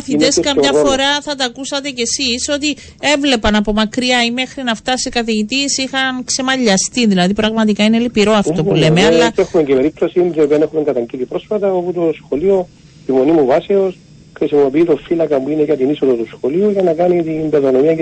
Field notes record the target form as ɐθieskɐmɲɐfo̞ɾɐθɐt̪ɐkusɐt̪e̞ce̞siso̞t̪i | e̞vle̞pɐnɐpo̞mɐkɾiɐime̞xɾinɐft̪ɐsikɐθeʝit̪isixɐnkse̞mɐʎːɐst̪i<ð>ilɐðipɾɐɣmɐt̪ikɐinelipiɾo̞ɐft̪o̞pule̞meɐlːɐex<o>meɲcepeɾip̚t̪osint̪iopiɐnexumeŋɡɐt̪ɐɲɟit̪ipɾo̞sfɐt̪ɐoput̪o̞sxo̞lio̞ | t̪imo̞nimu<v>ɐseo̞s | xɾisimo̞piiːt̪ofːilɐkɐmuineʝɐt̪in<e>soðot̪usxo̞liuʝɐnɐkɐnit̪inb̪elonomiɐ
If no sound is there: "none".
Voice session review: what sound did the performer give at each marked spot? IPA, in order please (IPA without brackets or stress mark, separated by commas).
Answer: ð, u, v, i